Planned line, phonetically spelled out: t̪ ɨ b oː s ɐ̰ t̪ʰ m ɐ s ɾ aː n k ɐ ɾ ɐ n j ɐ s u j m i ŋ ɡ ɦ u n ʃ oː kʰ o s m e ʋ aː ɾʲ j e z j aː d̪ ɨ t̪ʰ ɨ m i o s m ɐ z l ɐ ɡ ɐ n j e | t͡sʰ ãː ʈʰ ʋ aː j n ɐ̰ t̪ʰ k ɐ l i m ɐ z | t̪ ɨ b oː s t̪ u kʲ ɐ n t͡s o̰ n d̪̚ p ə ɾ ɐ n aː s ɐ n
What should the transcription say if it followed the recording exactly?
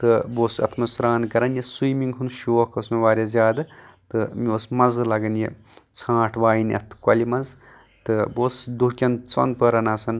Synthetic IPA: t̪ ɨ b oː s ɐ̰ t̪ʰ m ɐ s ɾ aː n k ɐ ɾ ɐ n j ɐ s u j m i ŋ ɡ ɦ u n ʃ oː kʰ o s m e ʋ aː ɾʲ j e z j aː d̪ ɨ t̪ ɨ m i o s m ɐ z l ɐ ɡ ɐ n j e | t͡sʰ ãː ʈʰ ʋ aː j n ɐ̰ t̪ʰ k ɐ l i m ɐ z | t̪ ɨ b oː s d̪ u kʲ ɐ n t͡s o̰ n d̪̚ p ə ɾ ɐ n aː s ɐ n

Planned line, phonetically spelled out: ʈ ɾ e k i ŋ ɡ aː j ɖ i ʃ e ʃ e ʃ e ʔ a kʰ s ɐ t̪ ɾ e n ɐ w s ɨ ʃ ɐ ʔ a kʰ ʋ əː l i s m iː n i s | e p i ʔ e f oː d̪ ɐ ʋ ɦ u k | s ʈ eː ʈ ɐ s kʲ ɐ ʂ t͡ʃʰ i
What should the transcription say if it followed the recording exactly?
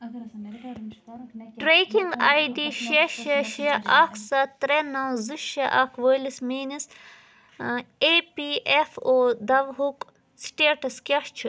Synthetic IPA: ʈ ɾ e k i ŋ ɡ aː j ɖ i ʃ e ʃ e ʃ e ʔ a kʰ s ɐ t̪ ɾ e n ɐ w z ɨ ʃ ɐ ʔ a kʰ ʋ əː l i s m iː n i s | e p i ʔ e f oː d̪ ɐ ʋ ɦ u k | s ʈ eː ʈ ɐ s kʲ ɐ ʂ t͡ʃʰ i

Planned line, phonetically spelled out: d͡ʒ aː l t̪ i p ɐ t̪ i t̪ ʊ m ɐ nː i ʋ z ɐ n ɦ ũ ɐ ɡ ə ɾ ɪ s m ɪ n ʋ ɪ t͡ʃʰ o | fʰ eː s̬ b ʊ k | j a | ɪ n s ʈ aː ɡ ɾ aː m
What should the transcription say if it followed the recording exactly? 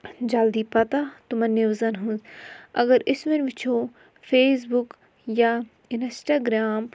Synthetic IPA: d͡ʒ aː l d̪ i p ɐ t̪ a t̪ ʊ m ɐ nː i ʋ z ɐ n ɦ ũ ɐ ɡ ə ɾ ɪ s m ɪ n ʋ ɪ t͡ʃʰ o | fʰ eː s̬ b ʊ k | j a | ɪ n s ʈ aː ɡ ɾ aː m

